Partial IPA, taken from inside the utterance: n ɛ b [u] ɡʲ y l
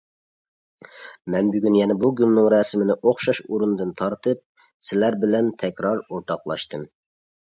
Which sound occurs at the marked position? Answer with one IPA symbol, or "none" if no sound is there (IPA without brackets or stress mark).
u